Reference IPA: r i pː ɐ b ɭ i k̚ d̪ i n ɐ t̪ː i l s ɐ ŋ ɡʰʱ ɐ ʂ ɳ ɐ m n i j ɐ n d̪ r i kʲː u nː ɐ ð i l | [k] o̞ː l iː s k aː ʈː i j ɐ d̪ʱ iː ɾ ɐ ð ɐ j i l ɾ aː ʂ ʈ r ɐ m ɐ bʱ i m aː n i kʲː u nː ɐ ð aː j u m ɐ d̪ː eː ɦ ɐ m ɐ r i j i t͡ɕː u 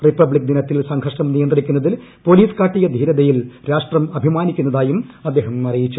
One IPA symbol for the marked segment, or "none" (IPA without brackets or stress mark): p